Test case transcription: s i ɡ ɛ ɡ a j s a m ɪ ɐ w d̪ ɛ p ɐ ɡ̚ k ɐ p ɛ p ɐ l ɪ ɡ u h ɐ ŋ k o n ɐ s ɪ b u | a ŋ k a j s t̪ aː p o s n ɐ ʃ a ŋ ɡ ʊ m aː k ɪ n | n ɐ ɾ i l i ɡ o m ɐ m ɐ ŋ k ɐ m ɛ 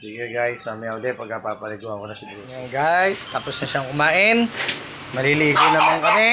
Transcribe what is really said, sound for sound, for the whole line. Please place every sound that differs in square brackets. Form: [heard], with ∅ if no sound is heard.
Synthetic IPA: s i ɡ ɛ ɡ a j s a m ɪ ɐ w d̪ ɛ p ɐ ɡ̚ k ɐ p [a] p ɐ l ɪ ɡ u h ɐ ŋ k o n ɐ s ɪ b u | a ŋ [ɡ] a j s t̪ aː p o s n ɐ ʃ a ŋ [k] ʊ m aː [ʔ] ɪ n | [m] ɐ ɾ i l i ɡ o [n] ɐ m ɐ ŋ k ɐ m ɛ